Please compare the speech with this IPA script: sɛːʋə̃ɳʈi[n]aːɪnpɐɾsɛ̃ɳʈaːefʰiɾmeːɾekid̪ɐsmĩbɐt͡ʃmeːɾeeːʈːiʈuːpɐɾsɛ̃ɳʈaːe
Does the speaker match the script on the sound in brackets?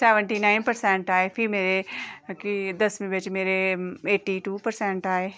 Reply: yes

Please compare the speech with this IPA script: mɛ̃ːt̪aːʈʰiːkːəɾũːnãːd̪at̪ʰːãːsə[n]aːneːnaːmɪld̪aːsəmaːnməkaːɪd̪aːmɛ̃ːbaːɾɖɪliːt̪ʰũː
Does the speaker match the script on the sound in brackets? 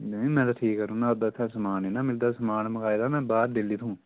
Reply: no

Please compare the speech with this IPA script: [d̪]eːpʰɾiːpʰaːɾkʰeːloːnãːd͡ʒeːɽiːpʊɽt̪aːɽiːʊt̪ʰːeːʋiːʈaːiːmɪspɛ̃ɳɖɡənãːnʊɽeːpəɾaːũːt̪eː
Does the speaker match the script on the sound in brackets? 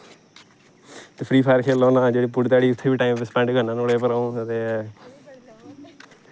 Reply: no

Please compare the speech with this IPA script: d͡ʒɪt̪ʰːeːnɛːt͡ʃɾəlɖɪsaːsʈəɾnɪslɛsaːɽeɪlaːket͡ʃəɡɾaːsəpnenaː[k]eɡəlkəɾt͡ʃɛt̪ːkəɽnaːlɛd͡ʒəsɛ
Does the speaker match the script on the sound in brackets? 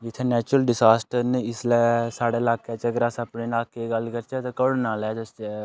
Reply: yes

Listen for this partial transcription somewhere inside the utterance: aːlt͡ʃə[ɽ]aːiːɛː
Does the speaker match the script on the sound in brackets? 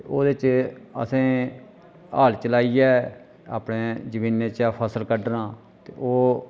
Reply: no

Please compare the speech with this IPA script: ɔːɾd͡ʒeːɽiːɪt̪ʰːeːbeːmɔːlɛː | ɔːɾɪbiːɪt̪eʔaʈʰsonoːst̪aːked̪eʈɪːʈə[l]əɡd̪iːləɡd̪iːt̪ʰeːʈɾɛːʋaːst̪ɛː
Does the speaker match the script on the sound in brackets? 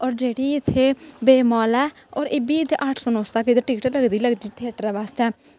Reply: yes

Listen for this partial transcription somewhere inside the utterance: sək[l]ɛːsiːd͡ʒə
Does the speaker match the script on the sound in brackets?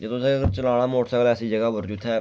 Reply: yes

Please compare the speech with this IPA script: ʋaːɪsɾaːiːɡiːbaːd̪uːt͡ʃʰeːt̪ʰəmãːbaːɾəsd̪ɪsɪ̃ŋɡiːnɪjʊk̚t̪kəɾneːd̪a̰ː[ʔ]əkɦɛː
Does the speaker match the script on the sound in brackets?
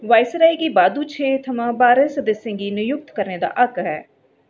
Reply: yes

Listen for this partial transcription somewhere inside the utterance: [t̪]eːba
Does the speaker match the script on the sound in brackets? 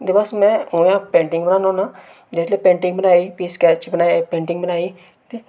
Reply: no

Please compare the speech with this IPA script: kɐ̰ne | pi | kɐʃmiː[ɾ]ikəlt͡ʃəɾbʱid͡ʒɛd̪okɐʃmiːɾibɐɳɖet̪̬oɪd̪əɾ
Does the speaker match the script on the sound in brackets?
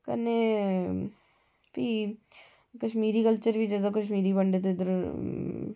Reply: yes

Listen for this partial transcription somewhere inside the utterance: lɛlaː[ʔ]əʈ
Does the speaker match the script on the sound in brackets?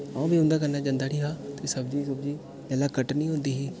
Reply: no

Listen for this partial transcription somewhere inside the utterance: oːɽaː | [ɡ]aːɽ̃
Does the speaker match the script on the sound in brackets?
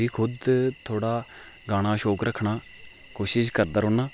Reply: yes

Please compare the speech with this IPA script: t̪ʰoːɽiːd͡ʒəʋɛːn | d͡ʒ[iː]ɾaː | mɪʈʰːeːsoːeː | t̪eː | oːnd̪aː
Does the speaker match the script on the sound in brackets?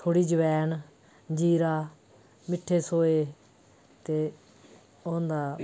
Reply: yes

